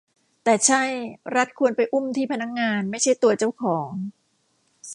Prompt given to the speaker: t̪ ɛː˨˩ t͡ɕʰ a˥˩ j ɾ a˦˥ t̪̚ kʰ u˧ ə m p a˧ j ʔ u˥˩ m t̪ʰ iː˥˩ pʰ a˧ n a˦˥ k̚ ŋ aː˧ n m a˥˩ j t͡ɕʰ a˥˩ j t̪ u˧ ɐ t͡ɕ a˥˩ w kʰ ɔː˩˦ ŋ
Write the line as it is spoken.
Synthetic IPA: t̪ ɛː˨˩ t͡ɕʰ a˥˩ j ɾ a˦˥ t̪̚ kʰ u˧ ə n p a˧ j ʔ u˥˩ m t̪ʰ iː˥˩ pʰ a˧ n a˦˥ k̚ ŋ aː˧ n m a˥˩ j t͡ɕʰ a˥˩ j t̪ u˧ ɐ t͡ɕ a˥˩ w kʰ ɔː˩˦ ŋ